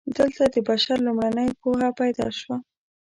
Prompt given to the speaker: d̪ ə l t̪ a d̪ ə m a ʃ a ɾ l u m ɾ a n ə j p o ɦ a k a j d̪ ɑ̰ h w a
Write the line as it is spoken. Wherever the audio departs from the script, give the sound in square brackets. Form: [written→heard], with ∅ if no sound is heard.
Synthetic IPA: d̪ ə l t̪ a d̪ ə [m→b] a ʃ a ɾ l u m [ɾ→ɽ] a n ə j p o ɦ a [k→p] a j d̪ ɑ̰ [h→ʃ] w a